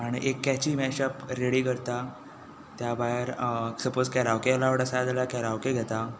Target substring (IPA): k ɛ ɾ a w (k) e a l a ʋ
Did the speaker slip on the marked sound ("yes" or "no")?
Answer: no